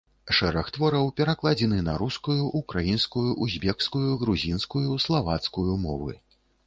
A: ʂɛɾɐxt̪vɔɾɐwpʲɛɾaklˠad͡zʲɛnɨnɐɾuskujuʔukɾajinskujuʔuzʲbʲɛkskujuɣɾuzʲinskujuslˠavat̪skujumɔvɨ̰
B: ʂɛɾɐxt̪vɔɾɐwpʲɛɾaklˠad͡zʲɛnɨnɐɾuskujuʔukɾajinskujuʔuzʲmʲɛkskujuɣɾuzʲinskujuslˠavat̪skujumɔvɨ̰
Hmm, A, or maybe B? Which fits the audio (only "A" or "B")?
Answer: A